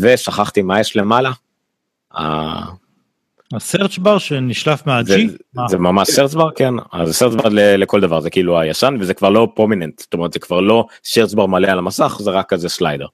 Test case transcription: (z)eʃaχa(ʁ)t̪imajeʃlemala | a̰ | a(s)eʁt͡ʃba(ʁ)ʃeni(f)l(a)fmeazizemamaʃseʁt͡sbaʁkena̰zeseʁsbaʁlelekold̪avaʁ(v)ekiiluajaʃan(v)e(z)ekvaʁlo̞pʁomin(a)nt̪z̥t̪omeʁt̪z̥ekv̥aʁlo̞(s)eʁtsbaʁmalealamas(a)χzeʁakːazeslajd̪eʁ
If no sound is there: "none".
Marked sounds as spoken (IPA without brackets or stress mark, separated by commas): v, χ, s, ʁ, ʃ, a, z, v, z, e, s, a